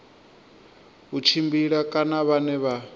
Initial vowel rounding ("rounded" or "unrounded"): rounded